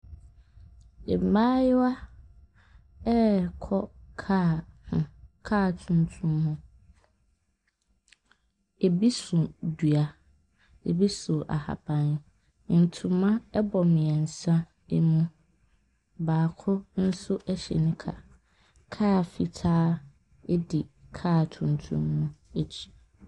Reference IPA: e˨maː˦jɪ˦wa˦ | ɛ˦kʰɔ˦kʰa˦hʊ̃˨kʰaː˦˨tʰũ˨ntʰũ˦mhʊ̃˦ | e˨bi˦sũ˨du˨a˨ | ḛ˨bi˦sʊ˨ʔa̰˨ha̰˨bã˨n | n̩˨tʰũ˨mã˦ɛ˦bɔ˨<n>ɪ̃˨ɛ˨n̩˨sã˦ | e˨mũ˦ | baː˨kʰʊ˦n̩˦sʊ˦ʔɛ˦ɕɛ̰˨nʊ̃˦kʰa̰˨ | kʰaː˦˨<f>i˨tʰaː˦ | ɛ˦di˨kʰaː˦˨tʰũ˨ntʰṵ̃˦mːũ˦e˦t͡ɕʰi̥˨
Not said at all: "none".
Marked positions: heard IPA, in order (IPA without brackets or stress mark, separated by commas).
m, f